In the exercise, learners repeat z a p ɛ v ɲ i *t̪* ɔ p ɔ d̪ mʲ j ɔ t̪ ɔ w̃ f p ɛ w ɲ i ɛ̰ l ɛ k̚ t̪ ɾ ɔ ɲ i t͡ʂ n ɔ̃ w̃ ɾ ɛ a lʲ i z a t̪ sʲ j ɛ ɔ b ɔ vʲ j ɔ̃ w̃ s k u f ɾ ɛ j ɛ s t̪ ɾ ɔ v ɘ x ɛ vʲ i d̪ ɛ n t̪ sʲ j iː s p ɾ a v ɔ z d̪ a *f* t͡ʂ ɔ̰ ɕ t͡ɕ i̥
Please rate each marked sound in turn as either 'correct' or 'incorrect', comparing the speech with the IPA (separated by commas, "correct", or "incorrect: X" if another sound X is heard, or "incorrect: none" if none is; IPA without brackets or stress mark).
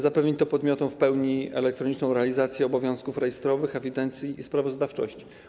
correct, correct